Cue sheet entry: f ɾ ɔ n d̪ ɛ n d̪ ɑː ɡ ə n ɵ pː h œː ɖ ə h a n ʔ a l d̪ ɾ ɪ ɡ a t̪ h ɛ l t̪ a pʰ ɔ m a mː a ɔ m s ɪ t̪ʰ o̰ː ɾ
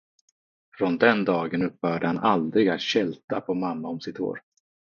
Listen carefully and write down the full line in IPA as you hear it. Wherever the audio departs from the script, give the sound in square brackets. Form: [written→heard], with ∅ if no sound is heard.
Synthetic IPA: f ɾ ɔ n d̪ ɛ n d̪ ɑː ɡ ə n ɵ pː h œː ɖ ə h a n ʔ a l d̪ ɾ ɪ ɡ a t̪ [h→ɕ] ɛ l t̪ a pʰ ɔ m a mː a ɔ m s ɪ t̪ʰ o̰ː ɾ